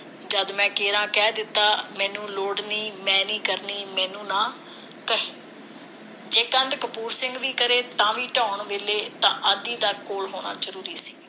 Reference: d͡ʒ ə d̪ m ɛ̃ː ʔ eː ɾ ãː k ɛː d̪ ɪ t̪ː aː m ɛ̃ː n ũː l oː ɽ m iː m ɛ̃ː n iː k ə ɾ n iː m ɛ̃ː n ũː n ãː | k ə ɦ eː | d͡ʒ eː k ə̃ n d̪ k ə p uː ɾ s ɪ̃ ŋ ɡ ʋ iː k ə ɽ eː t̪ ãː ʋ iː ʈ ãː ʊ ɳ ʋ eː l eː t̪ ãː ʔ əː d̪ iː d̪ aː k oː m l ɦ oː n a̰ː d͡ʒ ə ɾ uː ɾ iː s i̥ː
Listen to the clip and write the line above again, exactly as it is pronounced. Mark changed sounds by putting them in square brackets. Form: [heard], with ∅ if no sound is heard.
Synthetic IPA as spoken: d͡ʒ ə d̪ m ɛ̃ː [k] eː ɾ ãː k ɛː d̪ ɪ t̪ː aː m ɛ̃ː n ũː l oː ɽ [n] iː m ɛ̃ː n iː k ə ɾ n iː m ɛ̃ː n ũː n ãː | k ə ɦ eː | d͡ʒ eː k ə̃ n d̪ k ə p uː ɾ s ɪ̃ ŋ ɡ ʋ iː k ə [ɾ] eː t̪ ãː ʋ iː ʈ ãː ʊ ɳ ʋ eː l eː t̪ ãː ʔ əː d̪ iː d̪ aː k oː [∅] l ɦ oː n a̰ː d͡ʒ ə ɾ uː ɾ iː s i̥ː